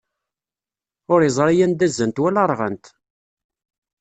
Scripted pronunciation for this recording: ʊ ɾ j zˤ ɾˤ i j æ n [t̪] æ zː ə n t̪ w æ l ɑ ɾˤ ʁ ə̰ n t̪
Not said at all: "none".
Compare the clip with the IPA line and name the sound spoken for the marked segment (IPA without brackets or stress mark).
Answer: d̪